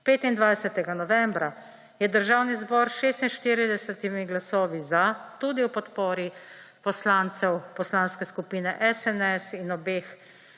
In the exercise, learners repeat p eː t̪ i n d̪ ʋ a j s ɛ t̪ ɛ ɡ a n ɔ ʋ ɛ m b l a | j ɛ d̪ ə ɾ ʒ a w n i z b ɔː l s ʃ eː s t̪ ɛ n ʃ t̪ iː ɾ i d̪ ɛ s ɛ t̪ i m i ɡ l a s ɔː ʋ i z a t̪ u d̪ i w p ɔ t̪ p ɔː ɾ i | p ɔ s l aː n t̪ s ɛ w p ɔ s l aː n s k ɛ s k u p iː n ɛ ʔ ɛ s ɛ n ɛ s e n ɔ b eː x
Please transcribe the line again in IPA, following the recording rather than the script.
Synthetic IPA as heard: p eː t̪ i n d̪ ʋ a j s ɛ t̪ ɛ ɡ a n ɔ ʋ ɛ m b ɾ a | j ɛ d̪ ə ɾ ʒ a w n i z b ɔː ɾ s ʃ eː s t̪ i n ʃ t̪ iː ɾ i d̪ ɛ s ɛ t̪ i m i ɡ l a s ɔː ʋ i z a t̪ u d̪ i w p ɔ t̪ p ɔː ɾ i | p ɔ s l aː n t̪ s ɛ w p ɔ s l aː n s k ɛ s k u p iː n ɛ ʔ ɛ s ɛ n ɛ s i n ɔ b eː x

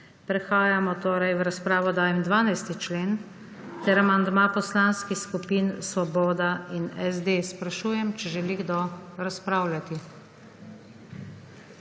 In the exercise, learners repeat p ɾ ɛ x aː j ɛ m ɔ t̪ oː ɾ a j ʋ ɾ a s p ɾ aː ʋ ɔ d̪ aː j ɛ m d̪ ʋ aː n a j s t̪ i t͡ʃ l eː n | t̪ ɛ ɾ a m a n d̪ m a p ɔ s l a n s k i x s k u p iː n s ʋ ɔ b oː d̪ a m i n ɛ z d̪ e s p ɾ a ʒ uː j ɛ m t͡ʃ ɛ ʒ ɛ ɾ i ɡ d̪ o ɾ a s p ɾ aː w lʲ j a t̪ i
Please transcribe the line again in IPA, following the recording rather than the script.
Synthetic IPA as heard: p ɾ ɛ x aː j a m ɔ t̪ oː ɾ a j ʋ ɾ a s p ɾ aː ʋ ɔ d̪ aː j ɛ m d̪ ʋ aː n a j s t̪ i t͡ʃ l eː n | t̪ ɛ ɾ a m a n d̪ m a p ɔ s l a n s k i x s k u p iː n s ʋ ɔ b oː d̪ a i n ɛ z d̪ e s p ɾ a ʃ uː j ɛ m t͡ʃ ɛ ʒ ɛ l i ɡ d̪ o ɾ a s p ɾ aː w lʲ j a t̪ i

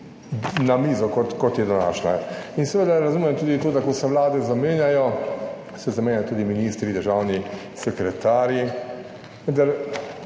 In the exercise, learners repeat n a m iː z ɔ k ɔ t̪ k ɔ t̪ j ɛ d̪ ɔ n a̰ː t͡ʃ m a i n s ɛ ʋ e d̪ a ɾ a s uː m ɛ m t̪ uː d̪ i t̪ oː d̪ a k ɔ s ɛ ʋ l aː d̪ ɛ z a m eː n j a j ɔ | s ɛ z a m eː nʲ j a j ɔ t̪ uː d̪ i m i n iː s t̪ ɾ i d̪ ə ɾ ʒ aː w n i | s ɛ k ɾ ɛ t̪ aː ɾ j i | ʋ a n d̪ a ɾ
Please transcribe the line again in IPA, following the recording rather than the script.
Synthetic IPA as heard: n a m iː z ɔ k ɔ t̪ k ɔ t̪ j ɛ d̪ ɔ n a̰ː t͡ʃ n a i n s ɛ ʋ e d̪ a ɾ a z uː m ɛ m t̪ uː d̪ i t̪ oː d̪ a k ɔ s ɛ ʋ l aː d̪ ɛ z a m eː n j a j ɔ | s ɛ z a m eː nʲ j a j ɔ t̪ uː d̪ i m i n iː s t̪ ɾ i d̪ ə ɾ ʒ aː w n i | s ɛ k ɾ ɛ t̪ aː ɾ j i | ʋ ə n d̪ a ɾ

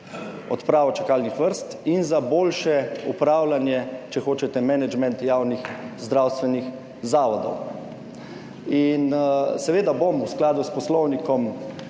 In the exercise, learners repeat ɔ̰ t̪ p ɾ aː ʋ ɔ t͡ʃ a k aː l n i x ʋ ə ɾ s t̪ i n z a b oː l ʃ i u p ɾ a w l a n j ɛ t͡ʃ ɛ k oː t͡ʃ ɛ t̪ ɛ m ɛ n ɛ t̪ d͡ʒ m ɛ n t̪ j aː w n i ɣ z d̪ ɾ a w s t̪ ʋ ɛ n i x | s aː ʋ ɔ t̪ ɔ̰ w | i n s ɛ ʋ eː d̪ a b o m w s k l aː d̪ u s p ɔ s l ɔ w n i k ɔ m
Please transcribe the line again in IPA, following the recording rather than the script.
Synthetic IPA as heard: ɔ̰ t̪ p ɾ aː ʋ ɔ t͡ʃ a k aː l n i x ʋ ə ɾ s t̪ i n z a b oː l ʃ ɛ u p ɾ a w l a n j ɛ t͡ʃ ɛ x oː t͡ʃ ɛ t̪ ɛ m ɛ n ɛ d͡ʒ m ɛ n t̪ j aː w n i x z d̪ ɾ a w s t̪ ʋ ɛ n i x | z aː ʋ ɔ d̪ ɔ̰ w | i n s ɛ ʋ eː d̪ a b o m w s k l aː d̪ u s p ɔ s l ɔ w n i k ɔ m

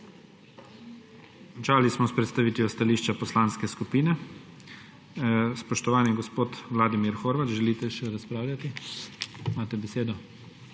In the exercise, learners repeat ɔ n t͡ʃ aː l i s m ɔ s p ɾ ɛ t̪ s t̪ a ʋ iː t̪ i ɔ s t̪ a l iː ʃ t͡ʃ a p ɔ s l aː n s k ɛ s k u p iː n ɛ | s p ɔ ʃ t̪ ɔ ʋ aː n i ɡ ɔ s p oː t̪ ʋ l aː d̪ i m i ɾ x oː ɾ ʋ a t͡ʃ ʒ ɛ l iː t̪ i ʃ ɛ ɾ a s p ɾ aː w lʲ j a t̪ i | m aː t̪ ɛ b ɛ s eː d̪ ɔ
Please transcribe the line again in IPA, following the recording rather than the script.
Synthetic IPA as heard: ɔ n t͡ʃ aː l i s m ɔ s p ɾ ɛ t̪ s t̪ a ʋ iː t̪ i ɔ s t̪ a l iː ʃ t͡ʃ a p ɔ s l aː n s k ɛ s k u p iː n ɛ | s p ɔ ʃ t̪ ɔ ʋ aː n i ɡ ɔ s p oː t̪ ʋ l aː d̪ i m i ɾ x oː ɾ ʋ a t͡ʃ ʒ ɛ l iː t̪ ɛ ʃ ɛ ɾ a s p ɾ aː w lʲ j a t̪ i | m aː t̪ ɛ b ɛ s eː d̪ ɔ

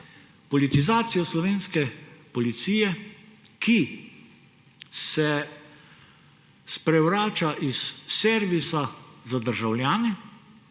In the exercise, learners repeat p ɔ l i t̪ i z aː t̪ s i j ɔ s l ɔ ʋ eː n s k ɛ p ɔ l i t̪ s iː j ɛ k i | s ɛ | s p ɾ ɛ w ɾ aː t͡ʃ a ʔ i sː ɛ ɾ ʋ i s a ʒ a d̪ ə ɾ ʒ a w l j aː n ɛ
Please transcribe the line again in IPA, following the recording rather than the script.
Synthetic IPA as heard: p ɔ l i t̪ i z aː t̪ s i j ɔ s l ɔ ʋ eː n s k ɛ p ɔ l i t̪ s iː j ɛ k i | s ɛ | s p ɾ ɛ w ɾ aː t͡ʃ a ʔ i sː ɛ ɾ ʋ i s a z a d̪ ə ɾ ʒ a w l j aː n ɛ

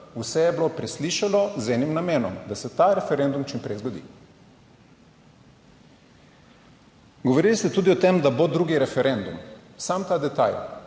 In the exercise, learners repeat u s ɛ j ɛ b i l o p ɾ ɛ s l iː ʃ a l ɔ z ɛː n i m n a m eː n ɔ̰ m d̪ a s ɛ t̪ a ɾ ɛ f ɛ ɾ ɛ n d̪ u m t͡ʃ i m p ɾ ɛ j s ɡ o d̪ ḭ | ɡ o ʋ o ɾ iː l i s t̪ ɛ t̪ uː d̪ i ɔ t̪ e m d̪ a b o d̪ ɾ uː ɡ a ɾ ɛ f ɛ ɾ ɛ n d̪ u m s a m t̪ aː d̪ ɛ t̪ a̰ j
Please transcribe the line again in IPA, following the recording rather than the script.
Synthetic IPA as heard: u s ɛ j ɛ b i l o p ɾ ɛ s l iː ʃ a l ɔ z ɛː n i m n a m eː n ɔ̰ m d̪ a s ɛ t̪ a ɾ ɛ f ɛ ɾ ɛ n d̪ u m t͡ʃ i m p ɾ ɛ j z ɡ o d̪ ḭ | ɡ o ʋ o ɾ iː l i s t̪ ɛ t̪ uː d̪ i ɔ t̪ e m d̪ a b o d̪ ɾ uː ɡ i ɾ ɛ f ɛ ɾ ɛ n d̪ u m s a m t̪ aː d̪ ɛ t̪ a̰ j

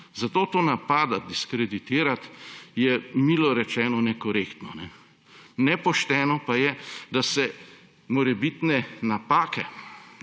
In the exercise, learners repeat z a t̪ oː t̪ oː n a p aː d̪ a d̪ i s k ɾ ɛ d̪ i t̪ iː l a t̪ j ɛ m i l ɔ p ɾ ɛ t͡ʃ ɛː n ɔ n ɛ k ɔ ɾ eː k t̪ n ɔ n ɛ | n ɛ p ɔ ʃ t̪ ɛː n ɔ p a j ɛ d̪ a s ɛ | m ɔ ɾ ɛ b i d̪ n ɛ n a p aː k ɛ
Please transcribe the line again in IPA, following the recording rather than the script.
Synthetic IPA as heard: z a t̪ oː t̪ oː n a p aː d̪ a d̪ i s k ɾ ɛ d̪ i t̪ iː ɾ a t̪ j ɛ m i l ɔ ɾ ɛ t͡ʃ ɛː n ɔ n ɛ k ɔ ɾ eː k t̪ n ɔ n ɛ | n ɛ p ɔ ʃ t̪ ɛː n ɔ p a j ɛ d̪ a s ɛ | m ɔ ɾ ɛ b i t̪ n ɛ n a p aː k ɛ

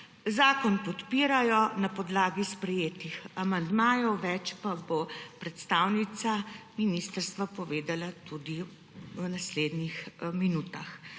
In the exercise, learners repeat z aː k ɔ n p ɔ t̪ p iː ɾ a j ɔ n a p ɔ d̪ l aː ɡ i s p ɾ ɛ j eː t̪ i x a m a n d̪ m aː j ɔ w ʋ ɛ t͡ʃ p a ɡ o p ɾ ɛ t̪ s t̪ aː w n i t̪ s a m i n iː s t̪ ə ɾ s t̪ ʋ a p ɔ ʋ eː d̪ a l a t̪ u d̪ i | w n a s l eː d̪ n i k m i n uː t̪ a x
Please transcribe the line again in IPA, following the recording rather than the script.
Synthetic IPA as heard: z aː k ɔ n p ɔ t̪ p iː ɾ a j ɔ n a p ɔ d̪ l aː ɡ i s p ɾ ɛ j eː t̪ i x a m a n d̪ m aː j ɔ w ʋ ɛ t͡ʃ p a b o p ɾ ɛ t̪ s t̪ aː w n i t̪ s a m i n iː s t̪ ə ɾ s t̪ ʋ a p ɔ ʋ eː d̪ a l a t̪ u d̪ i | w n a s l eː d̪ n i x m i n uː t̪ a x

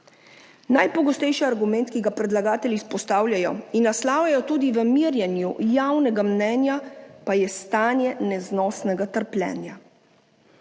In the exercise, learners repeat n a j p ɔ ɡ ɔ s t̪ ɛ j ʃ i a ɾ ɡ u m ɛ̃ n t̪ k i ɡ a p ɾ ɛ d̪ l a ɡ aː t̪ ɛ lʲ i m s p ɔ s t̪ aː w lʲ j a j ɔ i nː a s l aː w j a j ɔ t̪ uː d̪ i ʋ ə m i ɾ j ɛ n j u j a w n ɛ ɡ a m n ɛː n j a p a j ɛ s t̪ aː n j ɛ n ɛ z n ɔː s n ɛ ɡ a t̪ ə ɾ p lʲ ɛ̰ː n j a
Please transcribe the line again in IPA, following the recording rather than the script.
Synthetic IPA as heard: n a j p ɔ ɡ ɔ s t̪ ɛ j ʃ i a ɾ ɡ u m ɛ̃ n t̪ k i ɡ a p ɾ ɛ d̪ l a ɡ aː t̪ ɛ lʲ i s p ɔ s t̪ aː w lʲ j a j ɔ i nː a s l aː w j a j ɔ t̪ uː d̪ i ʋ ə m i ɾ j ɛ n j u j a w n ɛ ɡ a m n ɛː n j a p a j ɛ s t̪ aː n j ɛ n ɛ z n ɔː s n ɛ ɡ a t̪ ə ɾ p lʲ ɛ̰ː n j a

